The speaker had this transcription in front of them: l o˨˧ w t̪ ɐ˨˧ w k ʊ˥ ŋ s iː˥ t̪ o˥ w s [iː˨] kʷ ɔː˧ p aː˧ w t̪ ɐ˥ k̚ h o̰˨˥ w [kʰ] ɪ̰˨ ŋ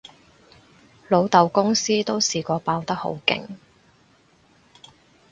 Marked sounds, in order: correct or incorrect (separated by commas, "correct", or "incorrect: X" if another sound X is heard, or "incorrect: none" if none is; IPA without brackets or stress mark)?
correct, incorrect: k